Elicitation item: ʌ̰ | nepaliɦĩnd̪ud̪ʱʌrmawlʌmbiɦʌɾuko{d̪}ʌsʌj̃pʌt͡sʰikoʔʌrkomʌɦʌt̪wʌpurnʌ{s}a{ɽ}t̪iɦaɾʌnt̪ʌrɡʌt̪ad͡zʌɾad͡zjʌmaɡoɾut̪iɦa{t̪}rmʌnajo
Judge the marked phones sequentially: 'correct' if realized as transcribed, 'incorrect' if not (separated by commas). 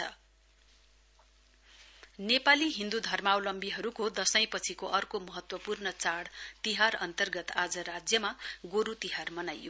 correct, incorrect, correct, incorrect